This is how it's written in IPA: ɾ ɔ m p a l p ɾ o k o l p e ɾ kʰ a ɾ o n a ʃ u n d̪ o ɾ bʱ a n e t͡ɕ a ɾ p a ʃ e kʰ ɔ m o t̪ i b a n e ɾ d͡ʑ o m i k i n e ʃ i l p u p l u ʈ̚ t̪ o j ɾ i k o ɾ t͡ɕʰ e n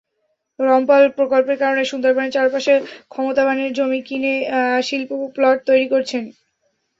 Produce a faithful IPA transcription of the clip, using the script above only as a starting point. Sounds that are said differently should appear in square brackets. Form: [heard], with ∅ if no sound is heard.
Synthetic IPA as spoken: ɾ ɔ m p a l p ɾ o k o l p e ɾ [k] a ɾ o n [e] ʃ u n d̪ o ɾ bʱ a n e t͡ɕ a ɾ p a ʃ e kʰ ɔ m o t̪ [a] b a n e ɾ d͡ʑ o m i k i n e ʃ i l p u p l [ɔ] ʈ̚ t̪ o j ɾ i k o ɾ t͡ɕʰ e n